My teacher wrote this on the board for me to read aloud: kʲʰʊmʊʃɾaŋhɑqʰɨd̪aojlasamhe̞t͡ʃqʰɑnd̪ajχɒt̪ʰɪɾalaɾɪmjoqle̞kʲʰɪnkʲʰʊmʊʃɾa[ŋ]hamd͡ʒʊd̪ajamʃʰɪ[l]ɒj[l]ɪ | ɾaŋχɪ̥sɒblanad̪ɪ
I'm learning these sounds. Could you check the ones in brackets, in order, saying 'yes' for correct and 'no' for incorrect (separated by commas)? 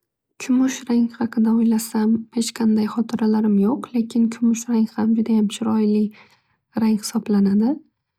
yes, no, yes